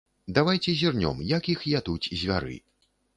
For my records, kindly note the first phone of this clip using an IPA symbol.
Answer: d̪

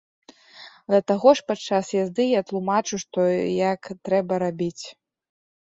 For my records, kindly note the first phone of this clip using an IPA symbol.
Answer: d̪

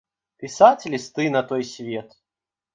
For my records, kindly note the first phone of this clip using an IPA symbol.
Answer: pʲ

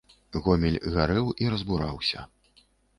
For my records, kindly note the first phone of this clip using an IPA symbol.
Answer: ɣ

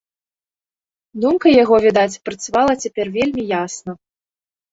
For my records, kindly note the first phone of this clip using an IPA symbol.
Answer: d̪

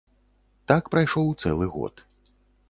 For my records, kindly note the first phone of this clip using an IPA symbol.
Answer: t̪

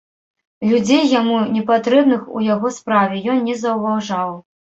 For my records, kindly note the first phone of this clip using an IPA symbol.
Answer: lʲ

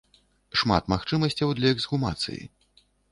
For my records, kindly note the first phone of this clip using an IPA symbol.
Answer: ʂ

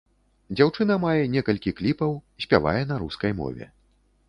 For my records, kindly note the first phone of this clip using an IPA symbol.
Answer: d͡zʲ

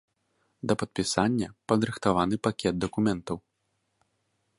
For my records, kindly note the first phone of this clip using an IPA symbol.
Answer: d̪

